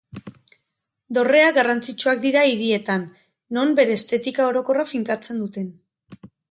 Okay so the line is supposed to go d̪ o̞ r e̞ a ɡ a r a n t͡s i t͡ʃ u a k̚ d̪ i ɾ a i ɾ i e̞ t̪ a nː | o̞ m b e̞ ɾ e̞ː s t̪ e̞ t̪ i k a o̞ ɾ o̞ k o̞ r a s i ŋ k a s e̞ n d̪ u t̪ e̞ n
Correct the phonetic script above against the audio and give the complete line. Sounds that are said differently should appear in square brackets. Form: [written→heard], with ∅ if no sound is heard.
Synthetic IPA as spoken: d̪ o̞ r e̞ a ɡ a r a n t͡s i t͡ʃ u a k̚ d̪ i ɾ a i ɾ i e̞ t̪ a nː | o̞ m b e̞ ɾ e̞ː s t̪ e̞ t̪ i k a o̞ ɾ o̞ k o̞ r a [s→f] i ŋ k a [s→t͡s] e̞ n d̪ u t̪ e̞ n

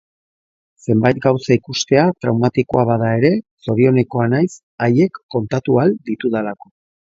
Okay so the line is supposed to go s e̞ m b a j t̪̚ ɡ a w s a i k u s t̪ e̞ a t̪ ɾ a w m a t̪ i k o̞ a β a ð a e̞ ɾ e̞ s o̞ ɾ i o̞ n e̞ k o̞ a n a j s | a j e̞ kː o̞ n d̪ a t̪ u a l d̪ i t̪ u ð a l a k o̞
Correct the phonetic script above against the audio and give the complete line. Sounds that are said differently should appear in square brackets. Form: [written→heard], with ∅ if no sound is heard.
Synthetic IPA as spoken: s e̞ m b a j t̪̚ ɡ a w s a i k u s t̪ e̞ a t̪ ɾ a w m a t̪ i k o̞ a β a ð a e̞ ɾ e̞ s o̞ ɾ i o̞ n e̞ k o̞ a n a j s | a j e̞ kː o̞ n [d̪→t̪] a t̪ u a l d̪ i t̪ u ð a l a k o̞

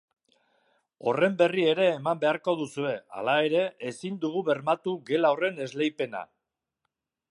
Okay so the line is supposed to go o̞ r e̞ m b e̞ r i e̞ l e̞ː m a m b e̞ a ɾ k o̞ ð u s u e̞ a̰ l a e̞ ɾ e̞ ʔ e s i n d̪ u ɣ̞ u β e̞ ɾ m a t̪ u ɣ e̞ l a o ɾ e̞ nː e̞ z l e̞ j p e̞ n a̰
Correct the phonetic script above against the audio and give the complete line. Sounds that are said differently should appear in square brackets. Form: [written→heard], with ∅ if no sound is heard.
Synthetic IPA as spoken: o̞ r e̞ m b e̞ r i e̞ [l→ɾ] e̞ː m a m b e̞ a ɾ k o̞ ð u s u e̞ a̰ l a e̞ ɾ e̞ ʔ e s i n d̪ u ɣ̞ u β e̞ ɾ m a t̪ u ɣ e̞ l a o [ɾ→r] e̞ [nː→n] e̞ z l e̞ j p e̞ n a̰

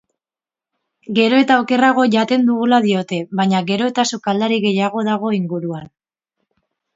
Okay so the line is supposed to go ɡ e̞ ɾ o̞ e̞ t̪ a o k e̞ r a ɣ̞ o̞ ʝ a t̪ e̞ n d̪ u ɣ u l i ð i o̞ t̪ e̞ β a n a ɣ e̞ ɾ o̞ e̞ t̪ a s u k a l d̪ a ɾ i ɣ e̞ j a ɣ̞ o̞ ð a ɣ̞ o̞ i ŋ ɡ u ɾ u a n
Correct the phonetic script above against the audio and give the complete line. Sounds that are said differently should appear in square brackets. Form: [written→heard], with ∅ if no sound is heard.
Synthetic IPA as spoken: ɡ e̞ ɾ o̞ e̞ t̪ a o k e̞ r a ɣ̞ o̞ ʝ a t̪ e̞ n d̪ u ɣ u l [i→a] ð i o̞ t̪ e̞ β a [n→ɲ] a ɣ e̞ ɾ o̞ e̞ t̪ a s u k a l d̪ a ɾ i ɣ e̞ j a ɣ̞ o̞ ð a ɣ̞ o̞ i ŋ ɡ u ɾ u a n

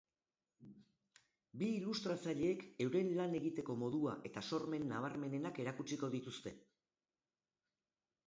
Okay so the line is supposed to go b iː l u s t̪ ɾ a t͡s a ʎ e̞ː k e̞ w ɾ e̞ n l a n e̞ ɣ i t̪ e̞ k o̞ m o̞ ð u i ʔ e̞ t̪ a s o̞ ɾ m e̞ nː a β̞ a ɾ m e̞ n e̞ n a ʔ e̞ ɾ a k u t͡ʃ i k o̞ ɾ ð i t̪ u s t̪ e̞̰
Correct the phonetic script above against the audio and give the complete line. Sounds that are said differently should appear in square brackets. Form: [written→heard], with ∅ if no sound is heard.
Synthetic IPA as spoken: b iː l u s t̪ ɾ a t͡s a ʎ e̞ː k e̞ w ɾ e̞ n l a n e̞ ɣ i t̪ e̞ k o̞ m o̞ ð u [i→a] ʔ e̞ t̪ a s o̞ ɾ m e̞ nː a β̞ a ɾ m e̞ n e̞ n a [ʔ→k] e̞ ɾ a k u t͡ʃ i k o̞ [ɾ→∅] ð i t̪ u s t̪ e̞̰

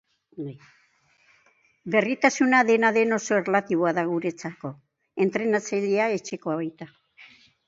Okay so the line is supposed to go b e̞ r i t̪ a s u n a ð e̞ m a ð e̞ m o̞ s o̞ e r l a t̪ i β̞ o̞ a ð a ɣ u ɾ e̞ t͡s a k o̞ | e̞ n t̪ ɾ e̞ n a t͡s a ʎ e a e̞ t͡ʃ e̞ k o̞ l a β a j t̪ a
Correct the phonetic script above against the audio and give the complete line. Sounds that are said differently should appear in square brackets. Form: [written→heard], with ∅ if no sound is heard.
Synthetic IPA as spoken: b e̞ r i t̪ a s u n a ð e̞ [m→n] a ð e̞ [m→n] o̞ s o̞ e r l a t̪ i β̞ o̞ a ð a ɣ u ɾ e̞ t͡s a k o̞ | e̞ n t̪ ɾ e̞ n a t͡s a ʎ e a e̞ t͡ʃ e̞ k o̞ [l→∅] a β a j t̪ a

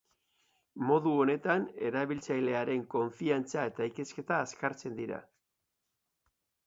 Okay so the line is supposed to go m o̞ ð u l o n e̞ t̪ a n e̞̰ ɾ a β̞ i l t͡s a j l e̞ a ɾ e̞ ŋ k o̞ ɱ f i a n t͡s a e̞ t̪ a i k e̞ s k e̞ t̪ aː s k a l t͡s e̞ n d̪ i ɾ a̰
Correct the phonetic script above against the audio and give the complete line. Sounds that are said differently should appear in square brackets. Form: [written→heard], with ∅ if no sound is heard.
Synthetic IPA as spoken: m o̞ ð u [l→∅] o n e̞ t̪ a n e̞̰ ɾ a β̞ i l t͡s a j l e̞ a ɾ e̞ ŋ k o̞ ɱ f i a n t͡s a e̞ t̪ a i k e̞ s k e̞ t̪ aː s k a [l→ɾ] t͡s e̞ n d̪ i ɾ a̰

